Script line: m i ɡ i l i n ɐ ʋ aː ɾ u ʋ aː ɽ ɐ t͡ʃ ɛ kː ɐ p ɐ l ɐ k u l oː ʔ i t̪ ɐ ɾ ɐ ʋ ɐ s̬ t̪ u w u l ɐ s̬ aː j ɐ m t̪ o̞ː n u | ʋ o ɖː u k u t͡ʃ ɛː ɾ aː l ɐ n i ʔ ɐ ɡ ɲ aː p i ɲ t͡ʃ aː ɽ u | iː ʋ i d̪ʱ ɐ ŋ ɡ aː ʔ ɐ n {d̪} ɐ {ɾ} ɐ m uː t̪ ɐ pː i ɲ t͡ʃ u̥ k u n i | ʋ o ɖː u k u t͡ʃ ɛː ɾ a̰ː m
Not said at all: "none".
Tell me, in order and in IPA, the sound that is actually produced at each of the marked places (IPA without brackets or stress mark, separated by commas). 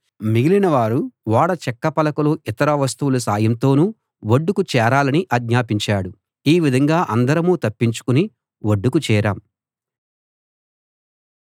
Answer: d̪, ɾ